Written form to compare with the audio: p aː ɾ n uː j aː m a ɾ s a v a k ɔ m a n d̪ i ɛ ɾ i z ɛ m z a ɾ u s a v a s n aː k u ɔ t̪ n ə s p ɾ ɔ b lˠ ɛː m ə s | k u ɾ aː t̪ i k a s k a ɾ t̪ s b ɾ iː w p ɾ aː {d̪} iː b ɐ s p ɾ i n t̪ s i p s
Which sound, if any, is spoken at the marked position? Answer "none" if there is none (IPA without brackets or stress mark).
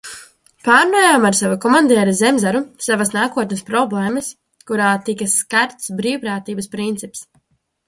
t̪